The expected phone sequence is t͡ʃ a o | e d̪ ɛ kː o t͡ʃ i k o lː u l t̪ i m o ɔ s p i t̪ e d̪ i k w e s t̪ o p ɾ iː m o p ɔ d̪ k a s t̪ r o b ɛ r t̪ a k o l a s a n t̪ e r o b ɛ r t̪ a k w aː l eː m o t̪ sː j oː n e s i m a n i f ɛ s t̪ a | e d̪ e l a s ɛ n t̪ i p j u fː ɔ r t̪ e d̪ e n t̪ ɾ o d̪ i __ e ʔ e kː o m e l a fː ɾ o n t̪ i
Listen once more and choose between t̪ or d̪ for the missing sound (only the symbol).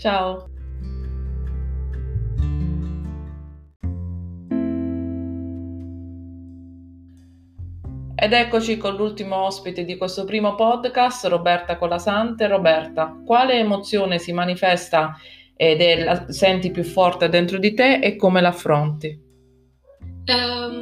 t̪